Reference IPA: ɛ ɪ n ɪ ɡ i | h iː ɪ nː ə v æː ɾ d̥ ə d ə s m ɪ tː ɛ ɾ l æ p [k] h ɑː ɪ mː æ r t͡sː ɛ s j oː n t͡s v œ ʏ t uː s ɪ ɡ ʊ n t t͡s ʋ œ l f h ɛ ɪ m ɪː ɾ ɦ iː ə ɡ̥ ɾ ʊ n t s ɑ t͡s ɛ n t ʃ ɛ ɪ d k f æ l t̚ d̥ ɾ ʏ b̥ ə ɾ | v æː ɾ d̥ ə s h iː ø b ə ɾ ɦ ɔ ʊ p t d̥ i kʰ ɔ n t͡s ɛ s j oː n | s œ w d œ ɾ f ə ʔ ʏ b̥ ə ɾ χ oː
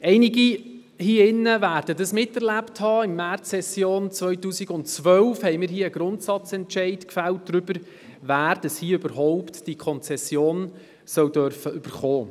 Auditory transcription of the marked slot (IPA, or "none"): t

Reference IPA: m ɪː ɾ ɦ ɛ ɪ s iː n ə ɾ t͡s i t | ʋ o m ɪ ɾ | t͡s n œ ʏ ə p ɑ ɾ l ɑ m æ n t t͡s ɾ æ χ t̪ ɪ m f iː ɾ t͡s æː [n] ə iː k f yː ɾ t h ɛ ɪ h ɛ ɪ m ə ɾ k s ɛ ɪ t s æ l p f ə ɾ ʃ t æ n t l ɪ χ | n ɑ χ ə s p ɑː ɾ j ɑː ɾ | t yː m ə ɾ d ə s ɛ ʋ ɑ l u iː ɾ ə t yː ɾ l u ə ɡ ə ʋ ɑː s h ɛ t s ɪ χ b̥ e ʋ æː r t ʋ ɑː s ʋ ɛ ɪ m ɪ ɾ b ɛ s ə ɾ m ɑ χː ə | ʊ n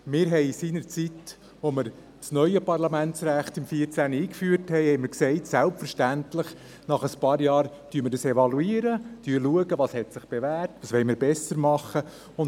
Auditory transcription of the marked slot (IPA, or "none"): n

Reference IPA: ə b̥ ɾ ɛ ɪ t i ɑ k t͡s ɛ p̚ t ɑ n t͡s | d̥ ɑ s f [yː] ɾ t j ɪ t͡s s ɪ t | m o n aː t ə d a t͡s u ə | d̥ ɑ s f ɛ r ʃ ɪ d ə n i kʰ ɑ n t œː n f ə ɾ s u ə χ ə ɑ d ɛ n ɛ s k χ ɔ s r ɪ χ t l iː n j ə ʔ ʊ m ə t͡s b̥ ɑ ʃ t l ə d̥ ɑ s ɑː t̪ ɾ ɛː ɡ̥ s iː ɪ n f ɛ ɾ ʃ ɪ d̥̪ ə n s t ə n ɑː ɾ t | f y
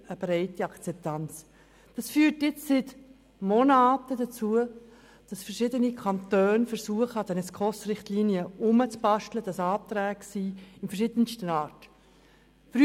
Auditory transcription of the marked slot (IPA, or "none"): yː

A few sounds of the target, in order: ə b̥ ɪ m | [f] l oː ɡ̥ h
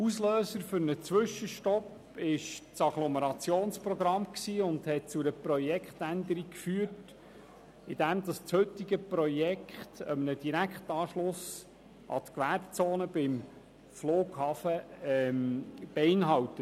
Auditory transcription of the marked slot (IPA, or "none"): f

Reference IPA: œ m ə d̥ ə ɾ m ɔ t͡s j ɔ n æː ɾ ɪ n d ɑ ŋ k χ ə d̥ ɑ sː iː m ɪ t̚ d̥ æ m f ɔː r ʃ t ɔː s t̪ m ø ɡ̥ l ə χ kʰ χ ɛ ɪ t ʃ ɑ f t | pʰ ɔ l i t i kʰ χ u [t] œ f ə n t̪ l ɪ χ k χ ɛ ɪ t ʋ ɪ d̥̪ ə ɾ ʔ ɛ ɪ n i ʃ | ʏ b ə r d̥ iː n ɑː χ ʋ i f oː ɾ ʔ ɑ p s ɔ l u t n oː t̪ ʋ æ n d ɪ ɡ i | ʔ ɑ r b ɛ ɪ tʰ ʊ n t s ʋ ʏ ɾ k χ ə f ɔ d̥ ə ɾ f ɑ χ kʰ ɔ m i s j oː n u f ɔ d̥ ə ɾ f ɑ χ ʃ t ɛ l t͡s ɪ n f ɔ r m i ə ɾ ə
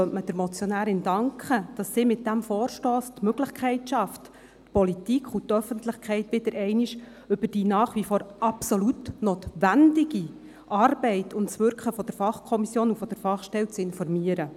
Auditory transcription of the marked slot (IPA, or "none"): t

